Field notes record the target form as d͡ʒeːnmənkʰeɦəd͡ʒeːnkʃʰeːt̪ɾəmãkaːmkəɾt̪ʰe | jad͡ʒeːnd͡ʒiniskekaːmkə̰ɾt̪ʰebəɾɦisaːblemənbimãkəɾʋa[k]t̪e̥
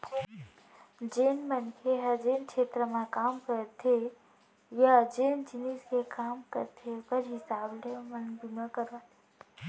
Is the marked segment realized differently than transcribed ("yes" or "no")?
yes